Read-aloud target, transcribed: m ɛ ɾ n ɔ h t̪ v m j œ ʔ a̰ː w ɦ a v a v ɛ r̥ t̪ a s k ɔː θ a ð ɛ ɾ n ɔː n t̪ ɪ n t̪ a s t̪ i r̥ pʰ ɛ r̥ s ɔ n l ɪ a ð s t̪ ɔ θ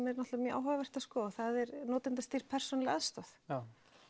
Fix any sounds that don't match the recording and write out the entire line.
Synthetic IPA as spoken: m ɛ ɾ n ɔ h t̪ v m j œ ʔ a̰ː w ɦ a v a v ɛ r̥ t̪ a s k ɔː θ a ð ɛ ɾ n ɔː t̪ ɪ n t̪ a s t̪ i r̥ pʰ ɛ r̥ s ɔ n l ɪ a ð s t̪ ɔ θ

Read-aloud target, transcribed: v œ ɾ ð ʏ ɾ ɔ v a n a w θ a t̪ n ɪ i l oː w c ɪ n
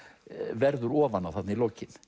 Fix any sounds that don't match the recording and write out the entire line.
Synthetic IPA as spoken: v ɛ ɾ ð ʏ ɾ ɔː v a n a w θ a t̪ n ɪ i l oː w c ɪ n

